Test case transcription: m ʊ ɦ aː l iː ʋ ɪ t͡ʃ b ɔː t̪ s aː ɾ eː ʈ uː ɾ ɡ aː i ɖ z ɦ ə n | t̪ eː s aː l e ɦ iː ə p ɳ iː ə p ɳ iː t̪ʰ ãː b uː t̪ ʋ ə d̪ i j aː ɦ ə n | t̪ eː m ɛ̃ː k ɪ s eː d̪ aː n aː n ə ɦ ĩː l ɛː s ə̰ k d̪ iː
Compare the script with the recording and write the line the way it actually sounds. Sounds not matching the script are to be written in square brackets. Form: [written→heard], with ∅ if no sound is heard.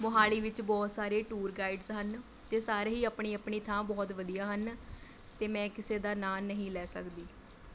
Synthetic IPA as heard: m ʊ ɦ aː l iː ʋ ɪ t͡ʃ b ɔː t̪ s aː ɾ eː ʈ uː ɾ ɡ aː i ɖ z ɦ ə n | t̪ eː s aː [l→ɾ] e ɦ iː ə p ɳ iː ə p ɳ iː t̪ʰ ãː b [uː→ɔː] t̪ ʋ ə d̪ i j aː ɦ ə n | t̪ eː m ɛ̃ː k ɪ s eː d̪ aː n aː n ə ɦ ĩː l ɛː s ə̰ k d̪ iː